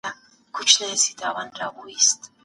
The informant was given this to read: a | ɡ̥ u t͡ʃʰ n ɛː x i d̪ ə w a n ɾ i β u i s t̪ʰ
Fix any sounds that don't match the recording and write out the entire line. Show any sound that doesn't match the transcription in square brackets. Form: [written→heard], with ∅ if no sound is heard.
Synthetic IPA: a | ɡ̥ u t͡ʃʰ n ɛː [x→s] i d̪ [ə→a] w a n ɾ [i→a] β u i s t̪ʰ